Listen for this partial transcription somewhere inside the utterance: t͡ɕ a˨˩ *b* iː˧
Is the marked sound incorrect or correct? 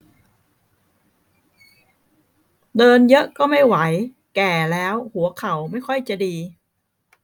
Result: incorrect